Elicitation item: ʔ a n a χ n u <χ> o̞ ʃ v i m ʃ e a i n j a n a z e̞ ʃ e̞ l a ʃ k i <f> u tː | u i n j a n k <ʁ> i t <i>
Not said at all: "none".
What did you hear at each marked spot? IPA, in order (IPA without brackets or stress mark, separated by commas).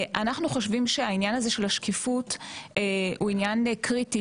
χ, f, ʁ, i